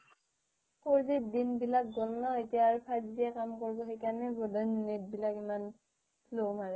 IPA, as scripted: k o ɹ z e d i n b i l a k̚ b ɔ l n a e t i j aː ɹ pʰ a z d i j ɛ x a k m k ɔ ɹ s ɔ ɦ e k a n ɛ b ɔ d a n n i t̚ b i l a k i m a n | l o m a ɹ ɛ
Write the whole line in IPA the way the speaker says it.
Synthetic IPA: k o ɹ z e d i n b i l a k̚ ɡ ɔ l n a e t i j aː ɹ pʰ a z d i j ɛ k a m k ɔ ɹ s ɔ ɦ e k a n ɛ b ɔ d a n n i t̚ b i l a k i m a n | l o m a ɹ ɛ